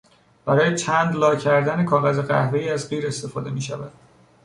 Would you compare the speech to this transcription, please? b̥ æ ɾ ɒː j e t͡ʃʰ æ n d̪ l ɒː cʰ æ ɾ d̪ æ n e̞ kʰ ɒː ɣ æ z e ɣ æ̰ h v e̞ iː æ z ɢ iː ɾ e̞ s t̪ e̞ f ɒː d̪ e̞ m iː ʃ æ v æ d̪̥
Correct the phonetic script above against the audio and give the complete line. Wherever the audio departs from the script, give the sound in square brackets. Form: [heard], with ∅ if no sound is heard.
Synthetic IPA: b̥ æ ɾ ɒː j e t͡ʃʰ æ n d̪ l ɒː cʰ æ ɾ d̪ æ n e̞ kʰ ɒː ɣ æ z e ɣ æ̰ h v e̞ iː æ z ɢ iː ɾ e̞ s t̪ e̞ f ɒː d̪ e̞ m iː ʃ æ v æ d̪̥